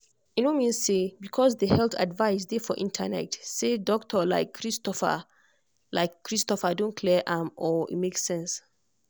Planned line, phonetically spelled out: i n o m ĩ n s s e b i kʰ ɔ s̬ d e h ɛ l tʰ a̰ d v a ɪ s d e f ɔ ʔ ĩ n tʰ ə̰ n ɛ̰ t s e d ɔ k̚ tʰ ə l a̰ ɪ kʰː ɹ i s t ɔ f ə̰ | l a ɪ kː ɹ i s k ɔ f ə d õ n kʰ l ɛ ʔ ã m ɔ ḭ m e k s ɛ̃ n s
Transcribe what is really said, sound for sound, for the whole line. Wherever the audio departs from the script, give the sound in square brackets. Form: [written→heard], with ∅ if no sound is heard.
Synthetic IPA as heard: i n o m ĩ n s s e b i kʰ ɔ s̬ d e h ɛ l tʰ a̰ d v a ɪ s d e f ɔ ʔ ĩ n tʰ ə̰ n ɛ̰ t s e d ɔ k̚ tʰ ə l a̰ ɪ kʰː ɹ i s t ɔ f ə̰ | l a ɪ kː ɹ i s [k→t] ɔ f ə d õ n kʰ l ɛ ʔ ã m ɔ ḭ m e k s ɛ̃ n s

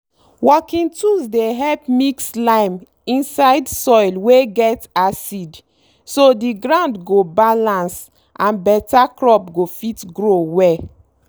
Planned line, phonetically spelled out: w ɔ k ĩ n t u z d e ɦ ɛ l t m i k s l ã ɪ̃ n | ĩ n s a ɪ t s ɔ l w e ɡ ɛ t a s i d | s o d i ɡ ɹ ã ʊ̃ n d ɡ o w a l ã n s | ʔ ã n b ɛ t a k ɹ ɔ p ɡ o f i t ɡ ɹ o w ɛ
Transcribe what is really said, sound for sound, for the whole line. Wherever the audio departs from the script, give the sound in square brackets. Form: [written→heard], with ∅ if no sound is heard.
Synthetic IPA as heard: w ɔ k ĩ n t u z d e ɦ ɛ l [t→p] m i k s l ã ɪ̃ [n→m] | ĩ n s a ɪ [t→d] s ɔ l w e ɡ ɛ t a s i d | s o d i ɡ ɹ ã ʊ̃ n d ɡ o [w→b] a l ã n s | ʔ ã n b ɛ t a k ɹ ɔ p ɡ o f i t ɡ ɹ o w ɛ

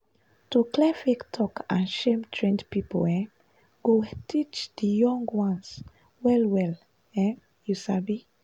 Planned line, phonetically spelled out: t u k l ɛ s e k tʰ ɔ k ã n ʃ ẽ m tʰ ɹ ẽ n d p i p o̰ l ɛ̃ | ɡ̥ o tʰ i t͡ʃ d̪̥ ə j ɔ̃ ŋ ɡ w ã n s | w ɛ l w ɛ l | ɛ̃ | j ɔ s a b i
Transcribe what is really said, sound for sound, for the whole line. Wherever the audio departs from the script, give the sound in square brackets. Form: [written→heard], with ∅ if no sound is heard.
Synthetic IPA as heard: t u k l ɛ [s→f] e k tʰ ɔ k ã n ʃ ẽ m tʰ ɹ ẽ n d p i p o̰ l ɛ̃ | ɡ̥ o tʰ i t͡ʃ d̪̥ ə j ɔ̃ ŋ ɡ w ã n s | w ɛ l w ɛ l | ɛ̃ | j [ɔ→u] s a b i

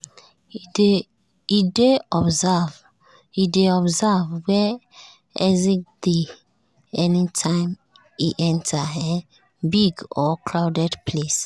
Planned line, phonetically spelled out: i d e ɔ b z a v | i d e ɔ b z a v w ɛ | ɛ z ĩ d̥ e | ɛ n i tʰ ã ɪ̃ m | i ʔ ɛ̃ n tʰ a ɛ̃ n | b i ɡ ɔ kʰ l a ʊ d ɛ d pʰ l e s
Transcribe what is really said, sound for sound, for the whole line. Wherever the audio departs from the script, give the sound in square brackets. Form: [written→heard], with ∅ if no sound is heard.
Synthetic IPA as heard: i d e ɔ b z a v | i d e ɔ b z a v w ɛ | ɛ z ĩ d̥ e | ɛ n i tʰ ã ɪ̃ m | i ʔ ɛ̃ n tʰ a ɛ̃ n | b i ɡ ɔ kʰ l a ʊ d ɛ d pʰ l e s

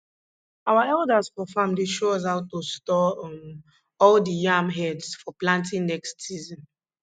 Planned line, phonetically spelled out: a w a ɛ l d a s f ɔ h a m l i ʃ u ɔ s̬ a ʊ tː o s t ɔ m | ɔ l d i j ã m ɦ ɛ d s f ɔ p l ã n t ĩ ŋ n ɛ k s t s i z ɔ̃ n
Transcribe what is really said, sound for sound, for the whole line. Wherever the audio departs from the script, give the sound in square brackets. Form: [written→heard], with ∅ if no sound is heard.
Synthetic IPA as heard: a w a ɛ l d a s f ɔ [h→f] a m l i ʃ [u→o] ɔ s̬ a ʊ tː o s t ɔ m | ɔ l d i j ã m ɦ ɛ d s f ɔ p l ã n t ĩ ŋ n ɛ k s t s i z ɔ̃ n

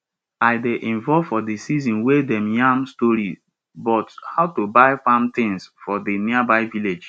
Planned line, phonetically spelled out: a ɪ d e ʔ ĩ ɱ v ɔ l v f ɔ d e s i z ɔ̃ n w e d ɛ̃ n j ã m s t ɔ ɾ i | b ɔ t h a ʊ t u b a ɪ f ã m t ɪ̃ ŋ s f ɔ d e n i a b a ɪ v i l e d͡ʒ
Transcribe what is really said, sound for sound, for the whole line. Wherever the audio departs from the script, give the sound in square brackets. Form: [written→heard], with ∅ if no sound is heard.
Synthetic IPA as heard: a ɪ d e ʔ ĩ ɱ v ɔ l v f ɔ d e s i z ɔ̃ n w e d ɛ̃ [n→m] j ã m s t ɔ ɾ i | b ɔ t h a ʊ t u b a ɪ f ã m t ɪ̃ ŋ s f ɔ d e n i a b a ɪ v i l e d͡ʒ

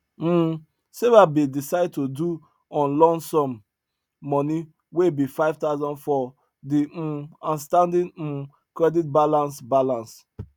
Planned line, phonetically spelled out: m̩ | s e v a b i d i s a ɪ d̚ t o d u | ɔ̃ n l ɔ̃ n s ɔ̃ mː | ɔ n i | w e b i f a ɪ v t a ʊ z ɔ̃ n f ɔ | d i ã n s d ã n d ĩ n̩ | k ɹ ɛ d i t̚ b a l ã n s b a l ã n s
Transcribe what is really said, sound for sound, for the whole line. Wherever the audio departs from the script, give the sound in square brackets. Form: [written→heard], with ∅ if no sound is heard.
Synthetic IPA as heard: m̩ | s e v a b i d i s a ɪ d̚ t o d u | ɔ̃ n l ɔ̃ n s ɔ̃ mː | ɔ n i | w e b i f a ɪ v t a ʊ z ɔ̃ n f ɔ | d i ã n s [d→t] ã n d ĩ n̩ | k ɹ ɛ d i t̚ b a l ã n s b a l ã n s

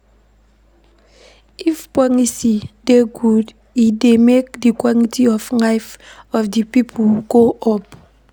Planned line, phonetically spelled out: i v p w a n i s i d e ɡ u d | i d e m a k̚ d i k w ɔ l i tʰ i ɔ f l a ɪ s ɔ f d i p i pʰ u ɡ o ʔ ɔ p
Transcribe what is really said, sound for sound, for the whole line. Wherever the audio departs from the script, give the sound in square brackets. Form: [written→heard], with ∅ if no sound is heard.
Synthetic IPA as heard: i [v→f] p w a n i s i d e ɡ u d | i d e m [a→e] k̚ d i k w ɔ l i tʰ i ɔ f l a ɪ [s→f] ɔ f d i p i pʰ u ɡ o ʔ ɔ p

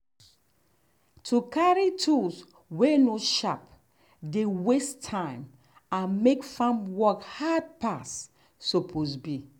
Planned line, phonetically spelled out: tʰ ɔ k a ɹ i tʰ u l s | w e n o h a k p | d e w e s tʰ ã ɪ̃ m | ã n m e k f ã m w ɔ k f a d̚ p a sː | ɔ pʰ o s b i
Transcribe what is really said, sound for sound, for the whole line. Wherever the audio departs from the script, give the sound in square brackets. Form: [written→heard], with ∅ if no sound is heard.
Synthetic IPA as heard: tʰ [ɔ→u] k a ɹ i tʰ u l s | w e n o [h→ʃ] a [k→∅] p | d e w e s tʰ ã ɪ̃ m | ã n m e k f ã m w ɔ k [f→h] a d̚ p a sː | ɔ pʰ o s b i

